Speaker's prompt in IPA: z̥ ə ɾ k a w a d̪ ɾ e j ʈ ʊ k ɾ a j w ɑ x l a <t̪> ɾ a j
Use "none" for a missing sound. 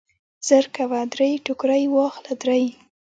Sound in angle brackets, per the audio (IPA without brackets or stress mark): d̪